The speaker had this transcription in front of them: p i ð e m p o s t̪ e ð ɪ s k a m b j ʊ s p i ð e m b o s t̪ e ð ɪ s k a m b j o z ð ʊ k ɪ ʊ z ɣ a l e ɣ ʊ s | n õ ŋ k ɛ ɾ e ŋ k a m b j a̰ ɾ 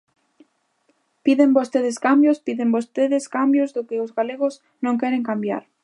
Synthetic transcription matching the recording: p i ð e m b o s t̪ e ð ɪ s k a m b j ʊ s p i ð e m b o s t̪ e ð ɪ s k a m b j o z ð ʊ k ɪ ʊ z ɣ a l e ɣ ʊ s | n õ ŋ k ɛ ɾ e ŋ k a m b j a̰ ɾ